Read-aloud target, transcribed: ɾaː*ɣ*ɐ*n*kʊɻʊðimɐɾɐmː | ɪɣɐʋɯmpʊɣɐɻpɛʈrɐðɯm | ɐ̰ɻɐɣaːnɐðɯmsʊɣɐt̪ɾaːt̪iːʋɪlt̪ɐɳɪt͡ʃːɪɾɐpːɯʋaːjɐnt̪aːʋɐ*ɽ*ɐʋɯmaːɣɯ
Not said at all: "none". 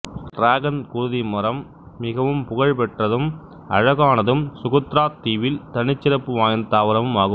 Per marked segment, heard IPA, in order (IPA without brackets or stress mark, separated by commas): ɣ, n, ɾ